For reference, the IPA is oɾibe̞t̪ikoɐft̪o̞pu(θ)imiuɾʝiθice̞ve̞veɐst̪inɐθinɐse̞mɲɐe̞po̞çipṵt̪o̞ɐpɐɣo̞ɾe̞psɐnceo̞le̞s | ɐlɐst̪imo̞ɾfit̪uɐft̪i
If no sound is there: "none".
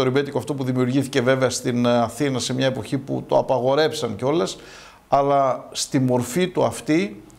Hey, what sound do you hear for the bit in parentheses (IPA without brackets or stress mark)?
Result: ð